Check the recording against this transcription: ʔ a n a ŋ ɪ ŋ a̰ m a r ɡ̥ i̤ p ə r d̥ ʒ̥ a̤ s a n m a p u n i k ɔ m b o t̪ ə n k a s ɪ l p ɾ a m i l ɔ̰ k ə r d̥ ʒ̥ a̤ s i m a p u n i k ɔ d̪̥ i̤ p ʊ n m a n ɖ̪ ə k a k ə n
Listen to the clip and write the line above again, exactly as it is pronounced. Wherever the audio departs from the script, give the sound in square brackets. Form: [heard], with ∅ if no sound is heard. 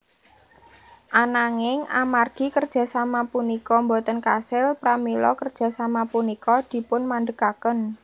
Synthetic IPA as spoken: ʔ a n a ŋ ɪ ŋ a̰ m a r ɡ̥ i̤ [k] ə r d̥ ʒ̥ a̤ s a [∅] m a p u n i k ɔ m b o t̪ ə n k a s ɪ l p ɾ a m i l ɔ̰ k ə r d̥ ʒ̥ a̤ s [a] m a p u n i k ɔ d̪̥ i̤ p ʊ n m a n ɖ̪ ə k a k ə n